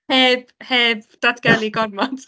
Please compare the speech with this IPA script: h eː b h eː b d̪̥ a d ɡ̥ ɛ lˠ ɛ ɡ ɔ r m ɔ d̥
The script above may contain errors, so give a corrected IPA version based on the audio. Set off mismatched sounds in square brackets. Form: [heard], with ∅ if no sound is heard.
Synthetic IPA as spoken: h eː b h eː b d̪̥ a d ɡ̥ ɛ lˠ [i] ɡ ɔ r m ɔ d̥